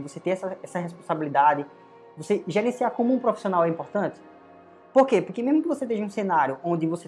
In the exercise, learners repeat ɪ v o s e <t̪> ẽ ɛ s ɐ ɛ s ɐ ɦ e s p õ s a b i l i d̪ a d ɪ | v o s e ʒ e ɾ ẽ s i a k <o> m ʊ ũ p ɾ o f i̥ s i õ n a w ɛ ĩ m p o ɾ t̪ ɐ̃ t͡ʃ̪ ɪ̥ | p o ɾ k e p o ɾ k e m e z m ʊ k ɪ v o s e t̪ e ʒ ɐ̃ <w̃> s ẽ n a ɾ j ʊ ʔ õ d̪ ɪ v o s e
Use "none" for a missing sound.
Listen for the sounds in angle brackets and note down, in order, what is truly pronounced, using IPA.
t̪, õ, ũ

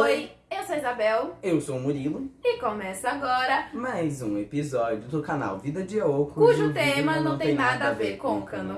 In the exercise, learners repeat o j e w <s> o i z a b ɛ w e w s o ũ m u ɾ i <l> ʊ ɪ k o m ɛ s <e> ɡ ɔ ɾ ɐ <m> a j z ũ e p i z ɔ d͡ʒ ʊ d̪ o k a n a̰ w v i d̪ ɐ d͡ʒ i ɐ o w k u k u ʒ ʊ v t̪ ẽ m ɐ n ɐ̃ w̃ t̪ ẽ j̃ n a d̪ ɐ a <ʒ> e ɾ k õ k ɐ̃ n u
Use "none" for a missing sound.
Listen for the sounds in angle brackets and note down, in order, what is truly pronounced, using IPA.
s, l, a, m, v

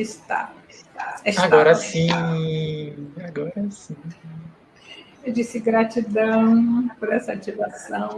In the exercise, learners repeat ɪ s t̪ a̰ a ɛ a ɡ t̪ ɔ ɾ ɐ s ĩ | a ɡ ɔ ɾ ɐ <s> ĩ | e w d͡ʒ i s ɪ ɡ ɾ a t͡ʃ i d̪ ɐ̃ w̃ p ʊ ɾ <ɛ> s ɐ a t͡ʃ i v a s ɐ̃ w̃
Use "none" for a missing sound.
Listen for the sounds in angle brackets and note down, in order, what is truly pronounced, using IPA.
s, ɛ

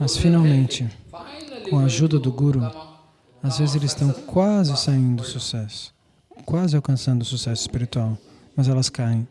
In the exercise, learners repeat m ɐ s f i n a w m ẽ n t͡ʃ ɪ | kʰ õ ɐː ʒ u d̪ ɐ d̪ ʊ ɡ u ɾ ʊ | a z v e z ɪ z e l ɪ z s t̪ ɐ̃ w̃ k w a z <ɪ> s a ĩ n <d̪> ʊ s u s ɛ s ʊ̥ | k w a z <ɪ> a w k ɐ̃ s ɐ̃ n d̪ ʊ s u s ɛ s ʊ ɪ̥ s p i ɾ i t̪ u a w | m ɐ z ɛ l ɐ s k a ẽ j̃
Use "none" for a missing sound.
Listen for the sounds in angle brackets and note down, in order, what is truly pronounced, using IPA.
ɪ, d̪, ɪ

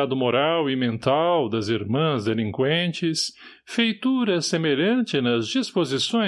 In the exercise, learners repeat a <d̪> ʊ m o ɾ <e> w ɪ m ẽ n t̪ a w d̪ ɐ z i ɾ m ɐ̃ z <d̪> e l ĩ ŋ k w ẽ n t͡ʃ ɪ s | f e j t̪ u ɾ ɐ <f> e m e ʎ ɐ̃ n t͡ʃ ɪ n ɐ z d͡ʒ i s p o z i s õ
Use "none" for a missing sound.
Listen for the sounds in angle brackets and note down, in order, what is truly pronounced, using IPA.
d̪, a, d̪, s

